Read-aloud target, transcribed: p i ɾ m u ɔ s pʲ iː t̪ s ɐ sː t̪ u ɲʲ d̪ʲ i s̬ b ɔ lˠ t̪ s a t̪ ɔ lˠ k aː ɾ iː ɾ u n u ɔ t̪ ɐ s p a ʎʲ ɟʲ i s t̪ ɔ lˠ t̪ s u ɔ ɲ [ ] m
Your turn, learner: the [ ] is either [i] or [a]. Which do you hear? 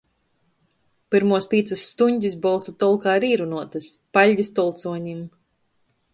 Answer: i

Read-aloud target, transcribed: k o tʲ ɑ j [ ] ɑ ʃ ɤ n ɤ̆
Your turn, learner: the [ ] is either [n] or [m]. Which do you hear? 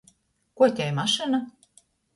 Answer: m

